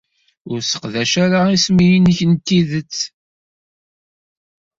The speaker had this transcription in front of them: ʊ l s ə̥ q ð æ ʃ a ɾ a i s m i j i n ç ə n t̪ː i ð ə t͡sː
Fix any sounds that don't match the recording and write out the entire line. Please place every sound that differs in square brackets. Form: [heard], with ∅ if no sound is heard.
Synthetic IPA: ʊ [ɾ] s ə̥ q ð æ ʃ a ɾ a i s m i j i n ç ə n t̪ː i ð ə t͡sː